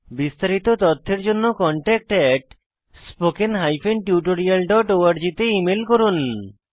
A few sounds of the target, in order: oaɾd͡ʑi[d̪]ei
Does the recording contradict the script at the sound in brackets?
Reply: yes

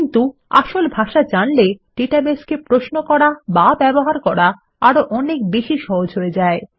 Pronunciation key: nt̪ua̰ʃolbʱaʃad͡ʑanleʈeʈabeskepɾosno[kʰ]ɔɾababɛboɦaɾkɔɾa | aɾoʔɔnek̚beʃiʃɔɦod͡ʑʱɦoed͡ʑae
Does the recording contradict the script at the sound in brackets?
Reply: yes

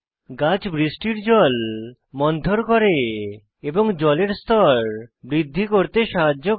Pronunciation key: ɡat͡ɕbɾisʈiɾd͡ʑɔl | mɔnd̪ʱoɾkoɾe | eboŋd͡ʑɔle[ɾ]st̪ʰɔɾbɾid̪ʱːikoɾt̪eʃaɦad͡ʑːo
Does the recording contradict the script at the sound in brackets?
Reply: no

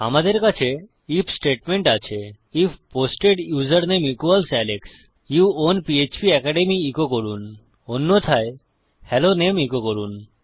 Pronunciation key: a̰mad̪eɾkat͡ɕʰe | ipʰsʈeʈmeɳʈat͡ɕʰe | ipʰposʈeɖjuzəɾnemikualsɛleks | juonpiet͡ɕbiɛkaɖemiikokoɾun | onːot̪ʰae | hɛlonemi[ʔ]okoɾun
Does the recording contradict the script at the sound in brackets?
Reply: yes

